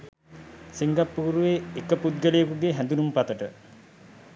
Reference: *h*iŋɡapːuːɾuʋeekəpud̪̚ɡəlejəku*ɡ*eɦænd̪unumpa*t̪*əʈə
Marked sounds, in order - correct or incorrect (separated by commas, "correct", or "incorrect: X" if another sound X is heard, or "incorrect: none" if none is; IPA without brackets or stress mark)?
incorrect: s, correct, correct